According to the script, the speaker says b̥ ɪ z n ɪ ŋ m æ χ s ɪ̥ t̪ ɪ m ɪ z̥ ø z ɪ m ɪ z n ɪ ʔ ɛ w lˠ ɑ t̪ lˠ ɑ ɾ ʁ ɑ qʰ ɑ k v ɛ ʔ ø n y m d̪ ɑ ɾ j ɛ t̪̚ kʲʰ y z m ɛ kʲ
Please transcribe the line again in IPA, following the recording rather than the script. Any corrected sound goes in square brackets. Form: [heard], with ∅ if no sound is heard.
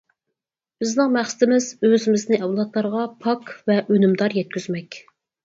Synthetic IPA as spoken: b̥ ɪ z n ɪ ŋ m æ χ s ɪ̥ t̪ ɪ m ɪ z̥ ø z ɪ m ɪ z n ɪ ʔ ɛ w lˠ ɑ t̪ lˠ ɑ ɾ ʁ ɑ [pʰ] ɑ k v ɛ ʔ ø n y m d̪ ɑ ɾ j ɛ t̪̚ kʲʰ y z m ɛ kʲ